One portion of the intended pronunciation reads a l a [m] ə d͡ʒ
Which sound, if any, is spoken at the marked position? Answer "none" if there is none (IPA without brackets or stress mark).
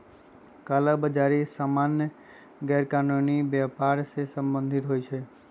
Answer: b